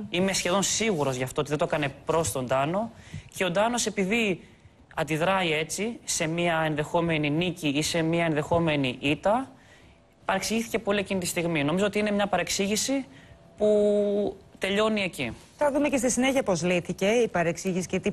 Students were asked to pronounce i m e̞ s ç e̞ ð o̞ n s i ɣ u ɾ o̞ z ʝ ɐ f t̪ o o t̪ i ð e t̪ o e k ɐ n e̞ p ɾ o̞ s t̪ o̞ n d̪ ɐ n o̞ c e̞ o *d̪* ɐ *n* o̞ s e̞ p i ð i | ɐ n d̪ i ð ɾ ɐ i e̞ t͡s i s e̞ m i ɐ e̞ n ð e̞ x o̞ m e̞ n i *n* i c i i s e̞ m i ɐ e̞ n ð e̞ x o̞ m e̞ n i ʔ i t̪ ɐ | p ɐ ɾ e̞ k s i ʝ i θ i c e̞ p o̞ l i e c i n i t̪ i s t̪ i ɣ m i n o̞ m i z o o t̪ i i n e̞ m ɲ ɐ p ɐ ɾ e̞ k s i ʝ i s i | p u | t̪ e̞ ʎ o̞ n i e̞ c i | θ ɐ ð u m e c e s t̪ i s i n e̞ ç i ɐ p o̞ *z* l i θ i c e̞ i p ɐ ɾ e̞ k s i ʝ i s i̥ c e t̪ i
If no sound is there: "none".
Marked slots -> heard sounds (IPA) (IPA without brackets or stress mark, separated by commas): d̪, n, n, z